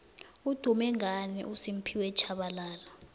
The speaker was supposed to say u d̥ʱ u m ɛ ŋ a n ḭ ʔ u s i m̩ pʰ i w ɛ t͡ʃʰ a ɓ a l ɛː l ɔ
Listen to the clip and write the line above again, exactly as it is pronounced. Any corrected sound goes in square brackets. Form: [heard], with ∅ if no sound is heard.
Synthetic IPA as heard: u d̥ʱ u m ɛ ŋ a n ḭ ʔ u s i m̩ pʰ i w ɛ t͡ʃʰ a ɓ a l [aː] l ɔ